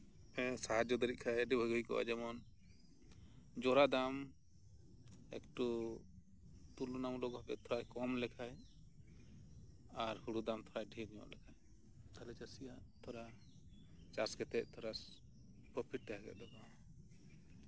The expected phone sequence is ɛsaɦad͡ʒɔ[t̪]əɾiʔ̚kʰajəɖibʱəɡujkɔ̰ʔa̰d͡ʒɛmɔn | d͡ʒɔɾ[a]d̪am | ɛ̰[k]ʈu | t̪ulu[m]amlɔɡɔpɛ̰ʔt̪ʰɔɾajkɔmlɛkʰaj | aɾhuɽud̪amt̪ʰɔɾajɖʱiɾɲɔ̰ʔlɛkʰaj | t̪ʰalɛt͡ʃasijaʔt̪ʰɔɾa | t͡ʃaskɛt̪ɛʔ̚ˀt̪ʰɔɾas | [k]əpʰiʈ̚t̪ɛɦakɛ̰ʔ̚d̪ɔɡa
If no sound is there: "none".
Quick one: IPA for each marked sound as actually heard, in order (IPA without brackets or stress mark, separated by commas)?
d̪, a, k, n, p